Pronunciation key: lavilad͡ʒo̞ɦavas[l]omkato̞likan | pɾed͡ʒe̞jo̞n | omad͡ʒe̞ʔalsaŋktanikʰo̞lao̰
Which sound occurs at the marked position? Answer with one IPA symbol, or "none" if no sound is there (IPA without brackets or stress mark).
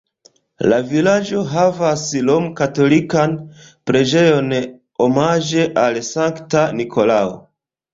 l